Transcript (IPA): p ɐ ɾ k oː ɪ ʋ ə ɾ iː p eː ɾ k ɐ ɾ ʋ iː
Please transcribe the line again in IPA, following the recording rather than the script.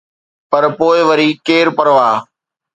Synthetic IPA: p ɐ ɾ p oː ɪ ʋ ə ɾ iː k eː ɾ p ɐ ɾ ʋ aː

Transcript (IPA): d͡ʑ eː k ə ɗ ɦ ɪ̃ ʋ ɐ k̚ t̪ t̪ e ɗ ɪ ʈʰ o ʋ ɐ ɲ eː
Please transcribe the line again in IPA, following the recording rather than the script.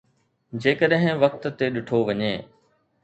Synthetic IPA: d͡ʑ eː k ə ɗ ɦ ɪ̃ ʋ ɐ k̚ t̪ t̪ e ɗ ɪ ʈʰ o ʋ ɐ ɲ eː

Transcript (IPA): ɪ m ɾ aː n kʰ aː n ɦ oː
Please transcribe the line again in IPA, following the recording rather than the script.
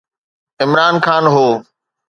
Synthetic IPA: ɪ m ɾ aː n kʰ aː n ɦ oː

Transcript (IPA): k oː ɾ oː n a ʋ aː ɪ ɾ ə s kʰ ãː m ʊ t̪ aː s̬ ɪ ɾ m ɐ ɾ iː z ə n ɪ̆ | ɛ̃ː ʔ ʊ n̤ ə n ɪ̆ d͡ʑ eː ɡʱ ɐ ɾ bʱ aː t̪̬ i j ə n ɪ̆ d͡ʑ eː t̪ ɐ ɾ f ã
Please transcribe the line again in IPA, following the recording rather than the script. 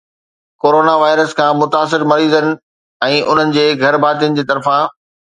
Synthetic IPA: k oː ɾ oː n a ʋ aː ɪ ɾ ə s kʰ ãː m ʊ t̪ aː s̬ ɪ ɾ m ɐ ɾ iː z ə n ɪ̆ | ɛ̃ː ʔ ʊ n̤ ə n ɪ̆ d͡ʑ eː ɡʱ ɐ ɾ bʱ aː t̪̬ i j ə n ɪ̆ d͡ʑ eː t̪ ɐ ɾ f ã

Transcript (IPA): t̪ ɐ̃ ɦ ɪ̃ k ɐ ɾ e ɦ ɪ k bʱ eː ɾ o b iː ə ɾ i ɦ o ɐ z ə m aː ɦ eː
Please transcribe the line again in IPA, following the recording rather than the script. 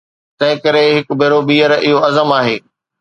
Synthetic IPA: t̪ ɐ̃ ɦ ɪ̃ k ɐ ɾ e ɦ ɪ k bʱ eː ɾ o b iː ə ɾ ɪ ɦ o ɐ z ə m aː ɦ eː

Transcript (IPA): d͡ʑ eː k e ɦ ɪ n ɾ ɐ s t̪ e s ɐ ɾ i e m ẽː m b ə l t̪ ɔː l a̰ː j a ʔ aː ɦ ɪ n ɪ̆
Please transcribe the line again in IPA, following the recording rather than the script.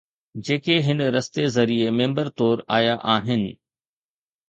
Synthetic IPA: d͡ʑ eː k e ɦ ɪ n ɾ ɐ s t̪ e z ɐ ɾ i e m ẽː m b ə ɾ t̪ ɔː ɾ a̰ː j a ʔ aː ɦ ɪ n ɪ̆

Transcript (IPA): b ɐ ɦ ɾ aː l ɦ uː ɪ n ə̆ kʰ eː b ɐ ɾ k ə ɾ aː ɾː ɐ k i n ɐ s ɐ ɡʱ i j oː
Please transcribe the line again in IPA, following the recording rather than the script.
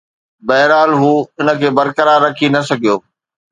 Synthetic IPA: b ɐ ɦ ɾ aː l ɦ uː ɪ n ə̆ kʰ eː b ɐ ɾ k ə ɾ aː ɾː ɐ kʰ i n ɐ s ɐ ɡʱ i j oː

